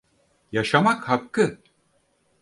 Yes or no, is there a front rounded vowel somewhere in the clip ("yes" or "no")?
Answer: no